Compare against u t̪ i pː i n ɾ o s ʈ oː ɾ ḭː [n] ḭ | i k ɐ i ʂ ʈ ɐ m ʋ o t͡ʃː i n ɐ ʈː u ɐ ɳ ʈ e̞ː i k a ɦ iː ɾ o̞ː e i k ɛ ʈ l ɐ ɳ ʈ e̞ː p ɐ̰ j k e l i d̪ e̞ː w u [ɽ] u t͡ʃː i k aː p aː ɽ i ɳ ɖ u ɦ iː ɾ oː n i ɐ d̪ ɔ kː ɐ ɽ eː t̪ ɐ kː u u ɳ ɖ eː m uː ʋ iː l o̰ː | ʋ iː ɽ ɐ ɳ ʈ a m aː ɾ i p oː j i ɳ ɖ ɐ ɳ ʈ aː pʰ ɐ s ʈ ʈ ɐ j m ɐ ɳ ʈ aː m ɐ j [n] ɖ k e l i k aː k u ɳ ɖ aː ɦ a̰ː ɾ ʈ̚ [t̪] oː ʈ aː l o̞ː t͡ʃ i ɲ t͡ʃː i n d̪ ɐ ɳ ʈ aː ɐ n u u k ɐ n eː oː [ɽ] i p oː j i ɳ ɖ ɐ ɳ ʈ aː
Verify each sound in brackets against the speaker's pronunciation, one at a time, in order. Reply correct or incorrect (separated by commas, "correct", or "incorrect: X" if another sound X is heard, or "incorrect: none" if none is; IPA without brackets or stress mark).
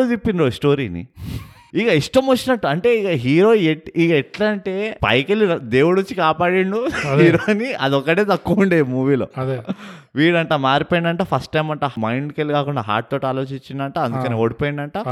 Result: correct, correct, incorrect: ɳ, correct, correct